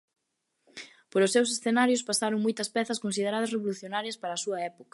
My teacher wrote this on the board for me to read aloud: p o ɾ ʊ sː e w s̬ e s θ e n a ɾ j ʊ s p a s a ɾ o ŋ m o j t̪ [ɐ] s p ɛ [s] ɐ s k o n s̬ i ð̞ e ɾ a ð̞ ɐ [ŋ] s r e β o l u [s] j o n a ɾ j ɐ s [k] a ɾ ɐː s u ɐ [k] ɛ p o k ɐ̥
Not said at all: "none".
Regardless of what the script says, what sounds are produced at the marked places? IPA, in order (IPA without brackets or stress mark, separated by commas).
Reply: ɐ, θ, none, θ, p, none